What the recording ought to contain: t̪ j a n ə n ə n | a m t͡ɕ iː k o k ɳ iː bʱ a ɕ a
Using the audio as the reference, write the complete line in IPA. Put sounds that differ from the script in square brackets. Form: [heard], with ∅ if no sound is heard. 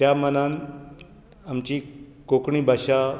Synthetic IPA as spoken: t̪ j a [m] ə n [a] n | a m t͡ɕ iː k o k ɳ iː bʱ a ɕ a